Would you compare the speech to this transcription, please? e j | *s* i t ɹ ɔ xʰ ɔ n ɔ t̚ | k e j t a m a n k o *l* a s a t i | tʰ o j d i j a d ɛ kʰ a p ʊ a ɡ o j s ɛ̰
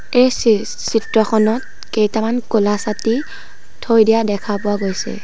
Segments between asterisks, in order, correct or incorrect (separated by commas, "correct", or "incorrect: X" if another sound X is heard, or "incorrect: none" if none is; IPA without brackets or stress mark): correct, correct